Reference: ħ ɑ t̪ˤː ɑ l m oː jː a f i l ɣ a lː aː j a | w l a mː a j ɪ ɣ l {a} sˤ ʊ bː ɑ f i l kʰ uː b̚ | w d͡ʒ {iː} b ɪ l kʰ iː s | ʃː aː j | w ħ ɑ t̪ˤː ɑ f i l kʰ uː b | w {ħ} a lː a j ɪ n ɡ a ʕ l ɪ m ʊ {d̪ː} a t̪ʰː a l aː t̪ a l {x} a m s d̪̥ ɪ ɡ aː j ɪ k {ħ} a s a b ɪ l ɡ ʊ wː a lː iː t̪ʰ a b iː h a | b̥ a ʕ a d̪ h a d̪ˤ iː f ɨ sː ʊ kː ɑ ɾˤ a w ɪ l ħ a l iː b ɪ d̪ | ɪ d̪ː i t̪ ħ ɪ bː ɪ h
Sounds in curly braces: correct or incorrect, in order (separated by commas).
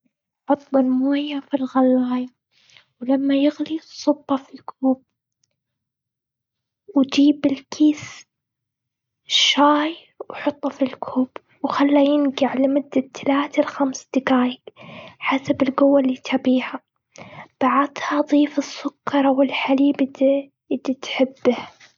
incorrect, correct, incorrect, correct, correct, correct